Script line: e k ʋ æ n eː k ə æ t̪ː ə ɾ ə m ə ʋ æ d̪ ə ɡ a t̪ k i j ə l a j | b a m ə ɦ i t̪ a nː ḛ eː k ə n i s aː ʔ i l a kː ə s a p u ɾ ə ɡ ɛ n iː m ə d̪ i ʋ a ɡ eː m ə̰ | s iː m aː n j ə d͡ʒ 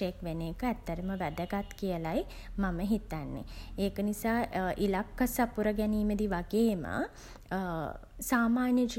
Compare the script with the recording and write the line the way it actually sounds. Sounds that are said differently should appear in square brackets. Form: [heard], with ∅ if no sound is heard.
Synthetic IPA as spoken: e k ʋ [e] n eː k ə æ t̪ː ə ɾ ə m ə ʋ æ d̪ ə ɡ a t̪ k i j ə l a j | [m] a m ə ɦ i t̪ a nː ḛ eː k ə n i s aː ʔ i l a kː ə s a p u ɾ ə ɡ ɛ n iː m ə d̪ i ʋ a ɡ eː m ə̰ | s [aː] m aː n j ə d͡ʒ